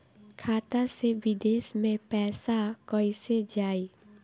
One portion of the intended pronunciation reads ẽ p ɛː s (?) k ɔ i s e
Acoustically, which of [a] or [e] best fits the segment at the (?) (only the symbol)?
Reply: a